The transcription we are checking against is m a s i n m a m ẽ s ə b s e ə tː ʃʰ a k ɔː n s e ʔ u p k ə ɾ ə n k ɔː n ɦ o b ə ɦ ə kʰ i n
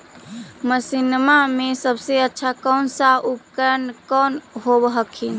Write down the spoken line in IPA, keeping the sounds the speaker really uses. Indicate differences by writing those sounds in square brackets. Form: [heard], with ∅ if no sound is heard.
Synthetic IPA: m [ə] s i n m a m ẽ s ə b s e ə tː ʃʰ a k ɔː n s [a] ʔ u p k ə ɾ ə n k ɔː n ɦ o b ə ɦ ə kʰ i n